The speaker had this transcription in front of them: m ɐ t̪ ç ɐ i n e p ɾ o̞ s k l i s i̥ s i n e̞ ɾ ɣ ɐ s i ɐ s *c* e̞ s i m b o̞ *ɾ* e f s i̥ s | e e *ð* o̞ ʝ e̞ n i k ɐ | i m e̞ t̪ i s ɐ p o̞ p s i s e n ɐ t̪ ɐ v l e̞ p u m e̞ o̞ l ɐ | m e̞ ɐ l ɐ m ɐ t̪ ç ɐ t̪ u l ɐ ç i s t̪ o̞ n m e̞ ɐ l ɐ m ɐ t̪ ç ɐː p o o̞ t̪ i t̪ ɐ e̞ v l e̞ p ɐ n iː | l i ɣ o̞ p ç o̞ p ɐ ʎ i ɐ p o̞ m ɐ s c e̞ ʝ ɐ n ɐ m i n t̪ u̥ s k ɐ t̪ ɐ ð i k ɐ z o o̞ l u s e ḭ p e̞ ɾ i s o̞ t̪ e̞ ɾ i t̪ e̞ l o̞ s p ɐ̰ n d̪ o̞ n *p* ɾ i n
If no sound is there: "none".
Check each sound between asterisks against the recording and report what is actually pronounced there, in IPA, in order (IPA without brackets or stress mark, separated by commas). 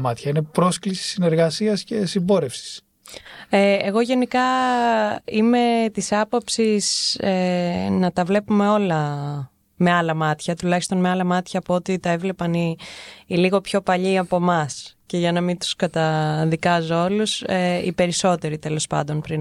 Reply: c, ɾ, ɣ, p